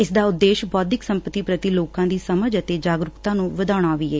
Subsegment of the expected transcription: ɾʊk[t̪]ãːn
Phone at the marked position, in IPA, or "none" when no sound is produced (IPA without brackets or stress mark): t̪